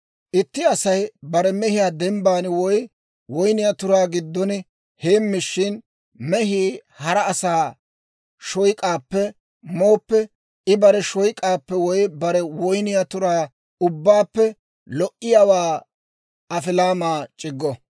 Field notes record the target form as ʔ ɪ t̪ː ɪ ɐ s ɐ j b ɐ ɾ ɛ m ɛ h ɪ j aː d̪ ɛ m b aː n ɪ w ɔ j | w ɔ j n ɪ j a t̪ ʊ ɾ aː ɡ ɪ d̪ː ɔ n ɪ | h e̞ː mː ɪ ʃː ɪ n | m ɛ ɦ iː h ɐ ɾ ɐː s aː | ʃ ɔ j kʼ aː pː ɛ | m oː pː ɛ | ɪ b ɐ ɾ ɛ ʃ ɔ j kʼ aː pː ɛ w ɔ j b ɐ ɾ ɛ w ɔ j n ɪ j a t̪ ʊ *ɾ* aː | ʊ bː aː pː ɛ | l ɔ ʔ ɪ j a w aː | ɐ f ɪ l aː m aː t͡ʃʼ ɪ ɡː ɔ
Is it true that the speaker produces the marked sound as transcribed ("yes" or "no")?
yes